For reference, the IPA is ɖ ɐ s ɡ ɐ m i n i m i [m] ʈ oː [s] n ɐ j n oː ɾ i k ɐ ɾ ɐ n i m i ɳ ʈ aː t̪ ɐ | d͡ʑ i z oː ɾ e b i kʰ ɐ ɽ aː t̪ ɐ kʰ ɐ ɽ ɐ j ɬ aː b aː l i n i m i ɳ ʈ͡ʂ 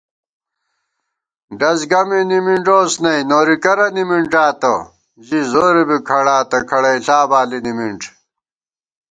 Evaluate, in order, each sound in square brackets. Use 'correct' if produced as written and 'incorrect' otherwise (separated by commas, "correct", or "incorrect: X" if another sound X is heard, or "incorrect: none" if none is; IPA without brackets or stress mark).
incorrect: ɳ, correct